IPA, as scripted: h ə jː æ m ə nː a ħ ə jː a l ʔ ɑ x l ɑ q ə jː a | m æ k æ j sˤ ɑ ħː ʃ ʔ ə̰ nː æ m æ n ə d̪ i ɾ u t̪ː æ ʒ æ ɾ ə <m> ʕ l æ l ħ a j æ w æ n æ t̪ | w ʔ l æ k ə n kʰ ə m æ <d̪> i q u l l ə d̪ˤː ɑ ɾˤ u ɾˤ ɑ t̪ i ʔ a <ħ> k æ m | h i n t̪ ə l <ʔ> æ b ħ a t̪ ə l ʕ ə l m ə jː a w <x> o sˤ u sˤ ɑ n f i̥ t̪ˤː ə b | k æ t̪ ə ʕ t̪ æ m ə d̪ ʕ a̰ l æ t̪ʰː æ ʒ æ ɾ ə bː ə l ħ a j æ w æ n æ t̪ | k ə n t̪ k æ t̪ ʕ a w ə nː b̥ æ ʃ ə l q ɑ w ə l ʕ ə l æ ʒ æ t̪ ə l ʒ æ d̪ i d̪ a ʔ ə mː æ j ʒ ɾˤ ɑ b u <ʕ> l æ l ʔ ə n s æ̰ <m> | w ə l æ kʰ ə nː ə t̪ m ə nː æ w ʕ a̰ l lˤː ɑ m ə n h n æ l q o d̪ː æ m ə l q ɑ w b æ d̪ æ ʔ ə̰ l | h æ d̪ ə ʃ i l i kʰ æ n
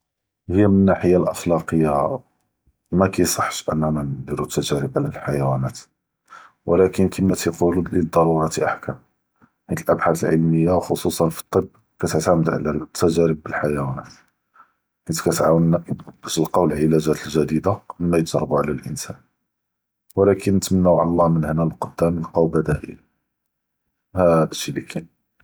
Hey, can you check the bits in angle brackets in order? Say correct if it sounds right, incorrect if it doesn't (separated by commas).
incorrect, incorrect, correct, correct, correct, correct, incorrect